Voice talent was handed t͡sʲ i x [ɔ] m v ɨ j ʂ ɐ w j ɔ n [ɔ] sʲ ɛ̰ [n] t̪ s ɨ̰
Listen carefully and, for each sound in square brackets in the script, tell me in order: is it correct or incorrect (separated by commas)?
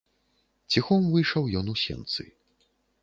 correct, incorrect, correct